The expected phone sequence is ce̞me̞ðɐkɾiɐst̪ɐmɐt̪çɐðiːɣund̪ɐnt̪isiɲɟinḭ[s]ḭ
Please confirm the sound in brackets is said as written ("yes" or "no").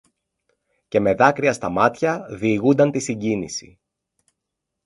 yes